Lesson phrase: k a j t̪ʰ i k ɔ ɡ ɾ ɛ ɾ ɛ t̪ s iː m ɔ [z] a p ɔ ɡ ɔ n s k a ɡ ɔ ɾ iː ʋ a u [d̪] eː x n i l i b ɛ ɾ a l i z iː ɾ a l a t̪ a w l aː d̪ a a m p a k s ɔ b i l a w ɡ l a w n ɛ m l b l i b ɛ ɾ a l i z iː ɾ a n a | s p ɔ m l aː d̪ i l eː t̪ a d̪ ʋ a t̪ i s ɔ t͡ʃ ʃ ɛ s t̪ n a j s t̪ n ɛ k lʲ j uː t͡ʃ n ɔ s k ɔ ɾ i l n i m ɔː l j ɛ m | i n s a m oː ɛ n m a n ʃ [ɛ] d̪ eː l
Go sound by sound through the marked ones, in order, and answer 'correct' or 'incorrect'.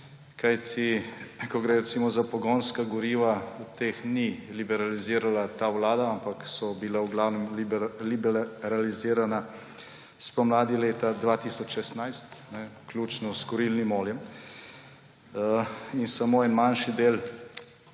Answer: correct, incorrect, incorrect

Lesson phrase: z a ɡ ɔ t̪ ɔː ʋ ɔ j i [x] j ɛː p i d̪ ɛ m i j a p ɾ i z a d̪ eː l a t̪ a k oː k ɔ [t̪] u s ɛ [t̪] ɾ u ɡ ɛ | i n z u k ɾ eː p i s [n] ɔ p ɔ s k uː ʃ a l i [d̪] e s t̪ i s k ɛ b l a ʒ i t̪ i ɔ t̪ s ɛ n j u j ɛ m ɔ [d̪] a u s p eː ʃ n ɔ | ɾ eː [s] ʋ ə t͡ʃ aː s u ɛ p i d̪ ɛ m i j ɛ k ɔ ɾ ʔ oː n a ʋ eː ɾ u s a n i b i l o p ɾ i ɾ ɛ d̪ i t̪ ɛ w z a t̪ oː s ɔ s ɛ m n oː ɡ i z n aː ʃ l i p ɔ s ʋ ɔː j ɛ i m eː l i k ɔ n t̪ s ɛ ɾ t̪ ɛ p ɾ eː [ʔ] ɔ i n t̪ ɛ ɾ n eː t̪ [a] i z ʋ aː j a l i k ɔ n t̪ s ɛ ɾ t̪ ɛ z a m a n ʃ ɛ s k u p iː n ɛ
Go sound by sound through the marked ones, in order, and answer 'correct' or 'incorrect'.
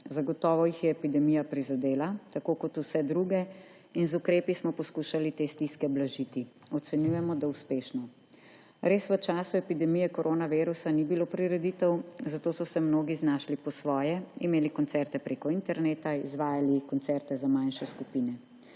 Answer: correct, correct, incorrect, incorrect, incorrect, correct, correct, incorrect, correct

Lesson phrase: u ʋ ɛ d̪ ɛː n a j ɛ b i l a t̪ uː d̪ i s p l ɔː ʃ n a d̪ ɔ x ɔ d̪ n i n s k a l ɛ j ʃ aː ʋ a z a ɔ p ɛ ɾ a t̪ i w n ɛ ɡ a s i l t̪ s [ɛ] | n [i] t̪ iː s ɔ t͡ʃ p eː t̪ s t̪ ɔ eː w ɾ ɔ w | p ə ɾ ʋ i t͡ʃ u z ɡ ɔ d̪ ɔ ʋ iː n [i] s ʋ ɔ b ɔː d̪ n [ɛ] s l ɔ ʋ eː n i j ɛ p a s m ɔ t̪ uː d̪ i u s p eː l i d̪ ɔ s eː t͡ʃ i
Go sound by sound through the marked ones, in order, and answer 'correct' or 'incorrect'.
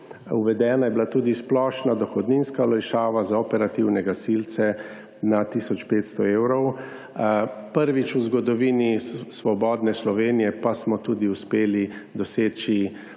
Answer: correct, incorrect, correct, correct

